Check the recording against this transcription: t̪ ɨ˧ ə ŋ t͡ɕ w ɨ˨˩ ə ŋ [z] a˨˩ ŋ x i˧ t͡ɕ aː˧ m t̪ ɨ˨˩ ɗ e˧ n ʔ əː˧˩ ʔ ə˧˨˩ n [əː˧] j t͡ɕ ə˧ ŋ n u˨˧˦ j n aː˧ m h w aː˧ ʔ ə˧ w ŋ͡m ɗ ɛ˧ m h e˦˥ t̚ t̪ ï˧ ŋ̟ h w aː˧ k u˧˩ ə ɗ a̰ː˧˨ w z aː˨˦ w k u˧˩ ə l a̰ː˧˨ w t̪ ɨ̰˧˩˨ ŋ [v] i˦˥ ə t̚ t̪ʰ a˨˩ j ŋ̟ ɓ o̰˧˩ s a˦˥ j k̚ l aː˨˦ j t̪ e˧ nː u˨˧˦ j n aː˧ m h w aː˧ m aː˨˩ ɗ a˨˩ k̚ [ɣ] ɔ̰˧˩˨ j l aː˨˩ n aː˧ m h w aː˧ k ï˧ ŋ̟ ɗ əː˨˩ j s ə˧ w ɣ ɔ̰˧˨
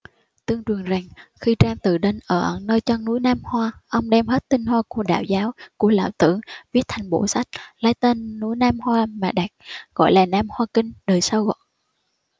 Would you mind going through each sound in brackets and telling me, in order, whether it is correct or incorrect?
correct, correct, correct, correct

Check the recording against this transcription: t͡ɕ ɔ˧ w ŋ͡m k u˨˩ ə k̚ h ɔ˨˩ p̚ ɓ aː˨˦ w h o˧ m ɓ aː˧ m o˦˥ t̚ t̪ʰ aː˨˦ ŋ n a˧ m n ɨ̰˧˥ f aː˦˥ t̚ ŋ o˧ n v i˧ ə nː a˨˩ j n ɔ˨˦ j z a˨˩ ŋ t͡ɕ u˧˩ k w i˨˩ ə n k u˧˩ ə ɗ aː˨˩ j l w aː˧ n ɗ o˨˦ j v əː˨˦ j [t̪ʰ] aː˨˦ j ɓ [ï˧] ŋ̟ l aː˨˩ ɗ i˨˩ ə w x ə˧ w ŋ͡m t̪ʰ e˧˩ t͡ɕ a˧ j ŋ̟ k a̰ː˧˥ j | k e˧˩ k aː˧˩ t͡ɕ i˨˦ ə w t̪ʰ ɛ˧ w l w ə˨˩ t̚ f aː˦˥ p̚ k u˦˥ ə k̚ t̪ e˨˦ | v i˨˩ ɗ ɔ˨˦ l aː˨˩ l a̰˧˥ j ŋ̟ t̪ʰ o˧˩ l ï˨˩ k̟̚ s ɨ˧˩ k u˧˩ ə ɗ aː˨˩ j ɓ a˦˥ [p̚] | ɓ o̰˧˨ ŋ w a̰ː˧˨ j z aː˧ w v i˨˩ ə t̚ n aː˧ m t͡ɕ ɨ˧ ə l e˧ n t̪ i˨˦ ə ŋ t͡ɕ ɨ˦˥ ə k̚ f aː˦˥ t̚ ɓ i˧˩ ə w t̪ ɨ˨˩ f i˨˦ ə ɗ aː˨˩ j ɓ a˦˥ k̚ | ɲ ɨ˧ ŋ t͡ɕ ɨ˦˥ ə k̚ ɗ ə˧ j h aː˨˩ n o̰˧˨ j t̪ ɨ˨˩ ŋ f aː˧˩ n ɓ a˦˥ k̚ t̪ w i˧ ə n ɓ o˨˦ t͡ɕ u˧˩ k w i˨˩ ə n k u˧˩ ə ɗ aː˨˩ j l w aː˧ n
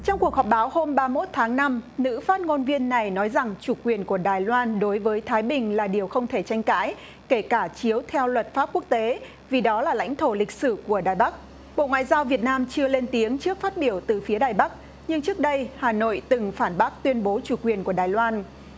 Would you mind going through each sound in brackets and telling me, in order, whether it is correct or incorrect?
correct, incorrect: ï˨˩, incorrect: k̚

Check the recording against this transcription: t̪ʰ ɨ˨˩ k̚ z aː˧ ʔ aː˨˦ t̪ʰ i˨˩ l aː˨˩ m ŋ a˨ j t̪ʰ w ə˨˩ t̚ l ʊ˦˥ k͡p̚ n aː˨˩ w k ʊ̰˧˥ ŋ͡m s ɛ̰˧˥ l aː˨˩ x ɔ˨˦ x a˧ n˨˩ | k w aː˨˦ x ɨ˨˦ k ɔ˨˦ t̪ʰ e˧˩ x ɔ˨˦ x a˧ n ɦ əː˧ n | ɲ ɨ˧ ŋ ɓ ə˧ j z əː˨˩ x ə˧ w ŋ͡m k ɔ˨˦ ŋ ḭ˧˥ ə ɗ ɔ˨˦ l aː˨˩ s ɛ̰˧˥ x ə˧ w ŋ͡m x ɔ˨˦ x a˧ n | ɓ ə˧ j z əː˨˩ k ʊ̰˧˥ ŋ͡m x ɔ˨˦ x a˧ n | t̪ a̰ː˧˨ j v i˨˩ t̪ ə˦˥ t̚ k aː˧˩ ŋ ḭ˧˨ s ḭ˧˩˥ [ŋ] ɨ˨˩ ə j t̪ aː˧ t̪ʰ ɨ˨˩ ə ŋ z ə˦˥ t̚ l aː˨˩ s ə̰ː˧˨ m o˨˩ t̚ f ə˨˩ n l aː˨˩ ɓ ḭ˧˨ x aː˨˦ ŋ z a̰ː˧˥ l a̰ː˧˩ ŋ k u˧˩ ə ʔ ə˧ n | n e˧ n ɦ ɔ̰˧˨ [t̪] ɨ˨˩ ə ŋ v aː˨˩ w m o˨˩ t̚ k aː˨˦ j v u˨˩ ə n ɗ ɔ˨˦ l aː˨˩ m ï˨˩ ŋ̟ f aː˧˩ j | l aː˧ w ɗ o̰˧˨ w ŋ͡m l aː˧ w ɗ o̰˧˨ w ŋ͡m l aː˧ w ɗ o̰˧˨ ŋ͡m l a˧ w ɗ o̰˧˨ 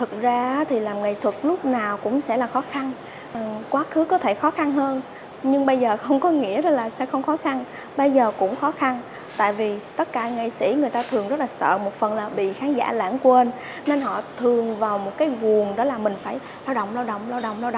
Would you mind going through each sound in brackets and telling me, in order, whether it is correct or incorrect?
correct, incorrect: t̪ʰ

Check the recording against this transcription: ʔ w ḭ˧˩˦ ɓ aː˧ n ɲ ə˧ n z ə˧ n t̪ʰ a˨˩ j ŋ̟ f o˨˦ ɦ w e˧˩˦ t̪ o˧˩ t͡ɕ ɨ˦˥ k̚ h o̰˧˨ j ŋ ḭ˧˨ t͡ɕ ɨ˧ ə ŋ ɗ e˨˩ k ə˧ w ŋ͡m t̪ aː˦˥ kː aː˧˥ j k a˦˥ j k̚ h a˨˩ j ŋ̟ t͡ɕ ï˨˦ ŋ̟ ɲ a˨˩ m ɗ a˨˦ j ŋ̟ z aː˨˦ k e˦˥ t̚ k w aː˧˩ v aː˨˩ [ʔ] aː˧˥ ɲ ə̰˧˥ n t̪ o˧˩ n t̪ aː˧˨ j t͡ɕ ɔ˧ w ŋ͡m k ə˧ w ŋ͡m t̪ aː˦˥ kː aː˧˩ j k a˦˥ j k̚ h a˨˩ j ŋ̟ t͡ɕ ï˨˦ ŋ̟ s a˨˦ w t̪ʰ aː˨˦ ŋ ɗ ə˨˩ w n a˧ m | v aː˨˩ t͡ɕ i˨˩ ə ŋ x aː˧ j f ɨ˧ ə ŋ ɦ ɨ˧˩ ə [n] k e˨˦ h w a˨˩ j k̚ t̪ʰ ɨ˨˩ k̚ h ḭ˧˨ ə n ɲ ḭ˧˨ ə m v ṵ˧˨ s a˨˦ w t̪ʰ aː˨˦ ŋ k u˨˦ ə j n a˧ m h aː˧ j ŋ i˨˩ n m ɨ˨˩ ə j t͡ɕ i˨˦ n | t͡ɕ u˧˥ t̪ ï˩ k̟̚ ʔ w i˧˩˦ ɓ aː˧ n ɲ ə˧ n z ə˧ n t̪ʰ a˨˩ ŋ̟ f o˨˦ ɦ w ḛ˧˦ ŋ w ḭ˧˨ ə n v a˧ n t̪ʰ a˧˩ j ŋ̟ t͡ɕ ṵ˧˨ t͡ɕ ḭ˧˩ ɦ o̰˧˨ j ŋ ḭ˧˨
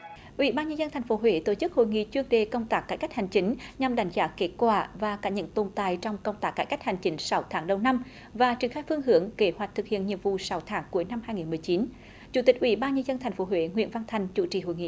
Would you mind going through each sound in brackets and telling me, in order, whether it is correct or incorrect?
incorrect: k, incorrect: ŋ

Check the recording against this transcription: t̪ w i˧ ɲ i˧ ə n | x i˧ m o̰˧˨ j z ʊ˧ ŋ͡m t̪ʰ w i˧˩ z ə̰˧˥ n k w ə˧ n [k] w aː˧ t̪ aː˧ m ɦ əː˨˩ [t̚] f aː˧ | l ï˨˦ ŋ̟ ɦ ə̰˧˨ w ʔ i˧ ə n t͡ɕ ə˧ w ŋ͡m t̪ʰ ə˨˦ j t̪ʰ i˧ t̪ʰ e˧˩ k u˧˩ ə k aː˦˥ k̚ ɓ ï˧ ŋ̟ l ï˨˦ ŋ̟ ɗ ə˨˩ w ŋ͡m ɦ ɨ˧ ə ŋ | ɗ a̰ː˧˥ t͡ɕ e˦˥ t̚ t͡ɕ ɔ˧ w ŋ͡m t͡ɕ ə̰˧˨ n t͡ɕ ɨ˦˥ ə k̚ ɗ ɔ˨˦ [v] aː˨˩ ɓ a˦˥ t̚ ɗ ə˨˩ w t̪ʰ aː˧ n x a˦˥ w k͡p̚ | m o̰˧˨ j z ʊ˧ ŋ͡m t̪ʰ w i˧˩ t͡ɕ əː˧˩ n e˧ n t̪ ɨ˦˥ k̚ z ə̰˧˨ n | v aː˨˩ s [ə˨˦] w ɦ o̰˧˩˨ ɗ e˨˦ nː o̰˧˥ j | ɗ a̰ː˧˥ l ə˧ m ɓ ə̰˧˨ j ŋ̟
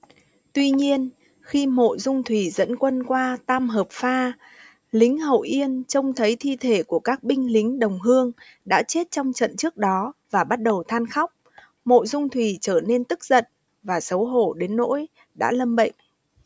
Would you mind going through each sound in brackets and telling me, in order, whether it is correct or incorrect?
correct, incorrect: p̚, correct, correct

